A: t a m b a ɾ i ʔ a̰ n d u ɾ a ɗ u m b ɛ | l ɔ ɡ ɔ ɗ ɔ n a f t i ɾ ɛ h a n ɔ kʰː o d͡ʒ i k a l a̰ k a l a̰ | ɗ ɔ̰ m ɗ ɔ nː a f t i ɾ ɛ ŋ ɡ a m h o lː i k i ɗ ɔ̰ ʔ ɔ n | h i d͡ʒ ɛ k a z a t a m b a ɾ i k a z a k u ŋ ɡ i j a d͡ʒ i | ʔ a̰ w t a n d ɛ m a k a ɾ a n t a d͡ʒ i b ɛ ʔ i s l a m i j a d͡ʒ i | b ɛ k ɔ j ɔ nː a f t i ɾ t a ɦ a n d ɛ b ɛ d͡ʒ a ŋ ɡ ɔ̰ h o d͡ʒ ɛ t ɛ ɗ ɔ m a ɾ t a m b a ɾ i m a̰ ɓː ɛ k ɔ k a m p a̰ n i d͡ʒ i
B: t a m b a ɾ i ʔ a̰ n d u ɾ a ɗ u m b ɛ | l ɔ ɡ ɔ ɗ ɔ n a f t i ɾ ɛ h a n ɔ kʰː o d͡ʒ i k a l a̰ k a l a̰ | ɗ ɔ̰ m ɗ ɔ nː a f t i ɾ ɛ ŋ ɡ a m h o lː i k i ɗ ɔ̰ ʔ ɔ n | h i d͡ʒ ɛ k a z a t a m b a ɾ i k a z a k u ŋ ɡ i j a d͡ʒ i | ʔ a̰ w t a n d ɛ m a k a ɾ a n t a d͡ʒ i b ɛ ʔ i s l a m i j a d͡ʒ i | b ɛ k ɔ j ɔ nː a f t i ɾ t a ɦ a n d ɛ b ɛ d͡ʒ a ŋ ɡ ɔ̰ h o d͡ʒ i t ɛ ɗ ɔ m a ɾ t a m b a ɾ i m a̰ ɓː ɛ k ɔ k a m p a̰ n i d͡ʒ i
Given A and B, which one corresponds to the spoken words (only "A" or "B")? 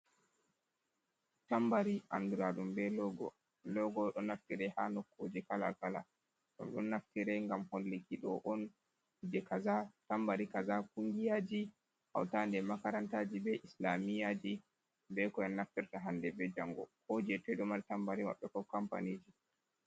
A